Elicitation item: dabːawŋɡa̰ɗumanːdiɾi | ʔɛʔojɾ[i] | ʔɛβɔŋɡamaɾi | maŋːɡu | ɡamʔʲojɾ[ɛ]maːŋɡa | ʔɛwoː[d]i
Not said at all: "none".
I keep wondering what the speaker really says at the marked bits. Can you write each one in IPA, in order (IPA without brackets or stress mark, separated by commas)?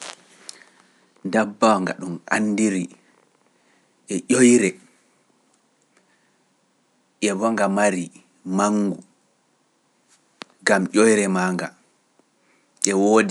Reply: ɛ, ɛ, d